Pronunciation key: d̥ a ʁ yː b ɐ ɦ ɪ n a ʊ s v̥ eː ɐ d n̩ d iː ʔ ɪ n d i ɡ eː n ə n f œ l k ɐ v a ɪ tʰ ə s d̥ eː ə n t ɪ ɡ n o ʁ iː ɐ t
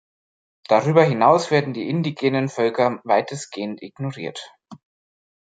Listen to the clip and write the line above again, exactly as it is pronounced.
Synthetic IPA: d̥ a ʁ yː b ɐ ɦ ɪ n a ʊ s v̥ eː ɐ d n̩ d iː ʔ ɪ n d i ɡ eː n ə n f œ l k ɐ v a ɪ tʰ ə s ɡ̥ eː ə n t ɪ ɡ n o ʁ iː ɐ t